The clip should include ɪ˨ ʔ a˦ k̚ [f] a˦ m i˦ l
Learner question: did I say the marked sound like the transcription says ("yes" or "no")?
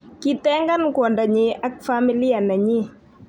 yes